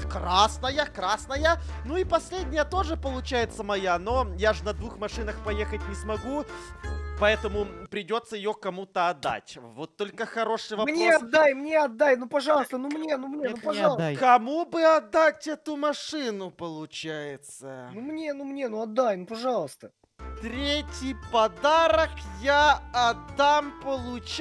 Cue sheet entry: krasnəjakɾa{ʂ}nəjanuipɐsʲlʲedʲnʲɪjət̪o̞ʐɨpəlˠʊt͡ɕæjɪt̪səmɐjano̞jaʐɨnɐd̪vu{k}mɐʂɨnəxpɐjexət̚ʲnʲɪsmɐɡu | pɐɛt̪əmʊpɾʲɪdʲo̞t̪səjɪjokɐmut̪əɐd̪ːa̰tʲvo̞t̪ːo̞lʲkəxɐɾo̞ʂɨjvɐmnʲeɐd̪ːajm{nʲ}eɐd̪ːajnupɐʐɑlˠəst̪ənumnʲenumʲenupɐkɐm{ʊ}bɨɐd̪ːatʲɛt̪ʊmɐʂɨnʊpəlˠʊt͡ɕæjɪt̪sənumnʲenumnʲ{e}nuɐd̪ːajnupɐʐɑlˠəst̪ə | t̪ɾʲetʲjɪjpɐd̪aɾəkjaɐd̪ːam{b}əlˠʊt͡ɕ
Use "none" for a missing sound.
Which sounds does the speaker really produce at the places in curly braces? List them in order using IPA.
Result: s, x, nʲ, u, e, p

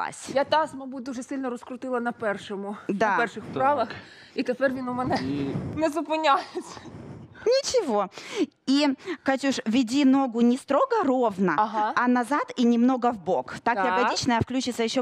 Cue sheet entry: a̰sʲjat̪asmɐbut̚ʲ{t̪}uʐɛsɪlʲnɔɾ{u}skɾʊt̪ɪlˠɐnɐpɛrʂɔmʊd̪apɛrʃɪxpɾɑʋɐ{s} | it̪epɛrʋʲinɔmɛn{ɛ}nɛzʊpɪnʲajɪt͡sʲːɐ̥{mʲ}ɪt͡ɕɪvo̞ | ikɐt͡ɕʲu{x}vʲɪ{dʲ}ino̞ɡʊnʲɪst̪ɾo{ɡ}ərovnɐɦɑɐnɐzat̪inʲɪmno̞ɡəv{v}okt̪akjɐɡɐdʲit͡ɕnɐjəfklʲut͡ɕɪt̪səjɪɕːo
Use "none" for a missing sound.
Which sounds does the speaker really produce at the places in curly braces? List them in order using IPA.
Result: d̪, ɔ, x, ɛ, nʲ, ʂ, dʲ, ɡ, b

